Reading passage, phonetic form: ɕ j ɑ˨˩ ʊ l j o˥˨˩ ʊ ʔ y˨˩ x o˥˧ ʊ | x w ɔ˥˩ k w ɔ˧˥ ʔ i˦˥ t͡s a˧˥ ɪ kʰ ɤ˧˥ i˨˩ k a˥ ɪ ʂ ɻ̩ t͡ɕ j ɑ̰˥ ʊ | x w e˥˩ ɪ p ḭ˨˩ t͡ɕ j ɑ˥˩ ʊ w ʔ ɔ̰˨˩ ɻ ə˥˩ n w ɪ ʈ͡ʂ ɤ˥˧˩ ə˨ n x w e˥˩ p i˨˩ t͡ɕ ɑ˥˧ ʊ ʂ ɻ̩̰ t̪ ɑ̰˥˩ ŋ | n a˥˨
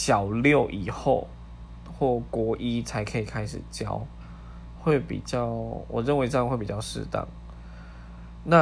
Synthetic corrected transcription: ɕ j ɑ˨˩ ʊ l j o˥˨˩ ʊ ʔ i˨˩ x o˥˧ ʊ | x w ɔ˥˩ k w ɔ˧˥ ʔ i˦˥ t͡sʰ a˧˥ ɪ kʰ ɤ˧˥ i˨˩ kʰ a˥ ɪ ʂ ɻ̩ t͡ɕ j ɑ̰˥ ʊ | x w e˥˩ ɪ p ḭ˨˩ t͡ɕ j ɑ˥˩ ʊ w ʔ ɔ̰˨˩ ɻ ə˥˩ n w ɪ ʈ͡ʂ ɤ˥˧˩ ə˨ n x w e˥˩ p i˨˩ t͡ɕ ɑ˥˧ ʊ ʂ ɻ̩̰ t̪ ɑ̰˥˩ ŋ | n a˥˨